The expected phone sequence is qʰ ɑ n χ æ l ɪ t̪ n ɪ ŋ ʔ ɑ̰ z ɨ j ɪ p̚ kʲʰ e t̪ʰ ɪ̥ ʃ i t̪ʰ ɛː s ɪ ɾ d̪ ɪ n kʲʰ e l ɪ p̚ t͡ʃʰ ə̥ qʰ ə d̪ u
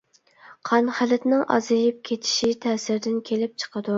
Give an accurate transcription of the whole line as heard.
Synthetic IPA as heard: qʰ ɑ n χ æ l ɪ t̪ n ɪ ŋ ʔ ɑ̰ z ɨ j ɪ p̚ kʲʰ e t̪ʰ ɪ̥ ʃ i t̪ʰ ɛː s ɪ ɾ d̪ ɪ n kʲʰ e l ɪ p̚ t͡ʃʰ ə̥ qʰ ə d̪ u

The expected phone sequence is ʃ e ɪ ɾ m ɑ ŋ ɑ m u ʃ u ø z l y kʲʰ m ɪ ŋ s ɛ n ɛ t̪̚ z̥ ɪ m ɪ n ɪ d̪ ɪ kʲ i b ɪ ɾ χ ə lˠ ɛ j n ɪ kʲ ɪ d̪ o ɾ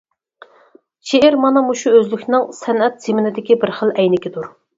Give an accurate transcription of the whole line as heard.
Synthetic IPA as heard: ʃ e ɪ ɾ m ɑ n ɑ m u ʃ u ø z l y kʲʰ n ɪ ŋ s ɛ n ɛ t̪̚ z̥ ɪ m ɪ n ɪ d̪ ɪ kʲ i b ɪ ɾ χ ə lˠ ɛ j n ɪ kʲ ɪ d̪ u ɾ

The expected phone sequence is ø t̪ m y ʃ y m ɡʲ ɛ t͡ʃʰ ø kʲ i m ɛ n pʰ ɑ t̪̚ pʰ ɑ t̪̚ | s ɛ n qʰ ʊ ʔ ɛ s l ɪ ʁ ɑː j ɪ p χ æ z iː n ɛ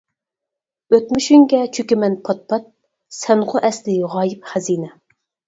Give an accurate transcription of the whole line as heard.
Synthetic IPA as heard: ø t̪ m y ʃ y ŋ ɡʲ ɛ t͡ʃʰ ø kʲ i m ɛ n pʰ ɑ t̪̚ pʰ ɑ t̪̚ | s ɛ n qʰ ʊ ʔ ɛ s l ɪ ʁ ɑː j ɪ p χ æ z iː n ɛ

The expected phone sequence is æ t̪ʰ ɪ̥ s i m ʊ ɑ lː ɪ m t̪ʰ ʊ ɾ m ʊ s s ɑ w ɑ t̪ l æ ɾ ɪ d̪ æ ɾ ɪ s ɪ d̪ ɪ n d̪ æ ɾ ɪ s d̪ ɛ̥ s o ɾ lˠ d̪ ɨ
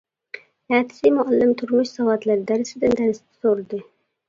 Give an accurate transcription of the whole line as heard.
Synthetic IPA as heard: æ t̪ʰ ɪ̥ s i m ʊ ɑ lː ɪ m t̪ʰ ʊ ɾ m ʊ ʃ s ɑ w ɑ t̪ l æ ɾ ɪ d̪ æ ɾ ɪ s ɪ d̪ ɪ n d̪ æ ɾ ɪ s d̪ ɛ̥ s o ɾ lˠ d̪ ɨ

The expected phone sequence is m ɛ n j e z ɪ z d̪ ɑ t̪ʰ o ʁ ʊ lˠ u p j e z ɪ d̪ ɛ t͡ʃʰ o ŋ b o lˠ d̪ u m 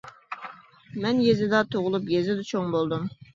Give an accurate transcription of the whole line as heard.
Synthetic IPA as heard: m ɛ n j e z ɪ d̪ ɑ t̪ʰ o ʁ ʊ lˠ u p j e z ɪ d̪ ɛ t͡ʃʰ o ŋ b o lˠ d̪ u m

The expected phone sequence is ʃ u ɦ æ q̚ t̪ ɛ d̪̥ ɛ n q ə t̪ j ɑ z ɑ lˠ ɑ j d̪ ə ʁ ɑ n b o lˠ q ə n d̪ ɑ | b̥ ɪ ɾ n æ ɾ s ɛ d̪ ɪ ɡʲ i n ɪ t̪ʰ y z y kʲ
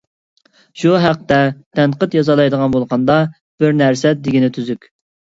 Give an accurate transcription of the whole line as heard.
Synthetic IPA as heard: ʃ u ɦ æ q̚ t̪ ɛ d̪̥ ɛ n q ə t̪ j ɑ z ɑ lˠ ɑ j d̪ ə ʁ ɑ n b o lˠ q ɑ n d̪ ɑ | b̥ ɪ ɾ n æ ɾ s ɛ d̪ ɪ ɡʲ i n ɪ t̪ʰ y z y kʲ

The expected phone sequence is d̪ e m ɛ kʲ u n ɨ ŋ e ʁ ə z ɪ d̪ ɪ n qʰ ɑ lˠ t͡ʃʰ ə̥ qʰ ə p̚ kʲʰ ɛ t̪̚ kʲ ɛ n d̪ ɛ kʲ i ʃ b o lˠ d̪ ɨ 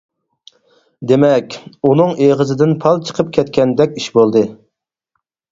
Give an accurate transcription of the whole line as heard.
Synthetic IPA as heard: d̪ e m ɛ kʲ u n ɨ ŋ e ʁ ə z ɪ d̪ ɪ n pʰ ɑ lˠ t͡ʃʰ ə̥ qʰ ə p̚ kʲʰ ɛ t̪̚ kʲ ɛ n d̪ ɛ kʲ i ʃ b o lˠ d̪ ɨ

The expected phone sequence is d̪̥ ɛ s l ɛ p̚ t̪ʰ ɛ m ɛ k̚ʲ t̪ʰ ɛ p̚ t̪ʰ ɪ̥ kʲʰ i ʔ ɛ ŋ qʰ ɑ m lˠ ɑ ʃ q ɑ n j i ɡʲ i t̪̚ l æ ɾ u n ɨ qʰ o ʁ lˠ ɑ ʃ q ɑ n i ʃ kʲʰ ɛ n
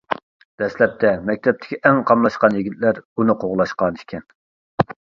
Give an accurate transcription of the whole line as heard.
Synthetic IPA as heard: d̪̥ ɛ s l ɛ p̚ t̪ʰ ɛ m ɛ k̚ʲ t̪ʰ ɛ p̚ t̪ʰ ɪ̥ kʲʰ i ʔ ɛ ŋ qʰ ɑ m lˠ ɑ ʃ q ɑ n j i ɡʲ i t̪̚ l æ ɾ u n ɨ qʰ o ʁ lˠ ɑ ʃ q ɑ n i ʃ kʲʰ ɛ n

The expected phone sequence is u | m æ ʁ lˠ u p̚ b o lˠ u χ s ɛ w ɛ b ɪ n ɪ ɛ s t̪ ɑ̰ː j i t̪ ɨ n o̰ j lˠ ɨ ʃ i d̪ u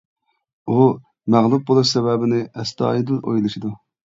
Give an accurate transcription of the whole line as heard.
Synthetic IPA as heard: u | m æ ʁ lˠ u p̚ b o lˠ u ʃ s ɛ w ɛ b ɪ n ɪ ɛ s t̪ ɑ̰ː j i d̪ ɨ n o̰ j lˠ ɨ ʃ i d̪ u

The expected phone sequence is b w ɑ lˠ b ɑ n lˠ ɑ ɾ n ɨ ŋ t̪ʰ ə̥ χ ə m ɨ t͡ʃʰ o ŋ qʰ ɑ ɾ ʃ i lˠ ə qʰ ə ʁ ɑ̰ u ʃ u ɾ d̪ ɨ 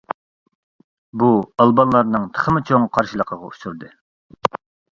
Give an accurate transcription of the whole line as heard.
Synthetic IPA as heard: b u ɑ lˠ b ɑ n lˠ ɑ ɾ n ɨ ŋ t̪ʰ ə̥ χ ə m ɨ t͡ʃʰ o ŋ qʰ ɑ ɾ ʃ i lˠ ə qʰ ə ʁ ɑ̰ u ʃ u ɾ d̪ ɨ

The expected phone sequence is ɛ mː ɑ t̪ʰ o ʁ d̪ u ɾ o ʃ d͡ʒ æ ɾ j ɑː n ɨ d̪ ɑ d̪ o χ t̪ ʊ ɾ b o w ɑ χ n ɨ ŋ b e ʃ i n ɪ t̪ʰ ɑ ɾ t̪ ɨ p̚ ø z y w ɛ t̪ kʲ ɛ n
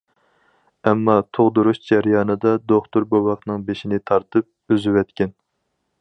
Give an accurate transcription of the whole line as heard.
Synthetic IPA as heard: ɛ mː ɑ t̪ʰ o ʁ d̪ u ɾ u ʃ d͡ʒ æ ɾ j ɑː n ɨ d̪ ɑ d̪ o χ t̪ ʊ ɾ b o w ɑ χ n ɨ ŋ b e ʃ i n ɪ t̪ʰ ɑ ɾ t̪ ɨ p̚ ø z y w ɛ t̪ kʲ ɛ n

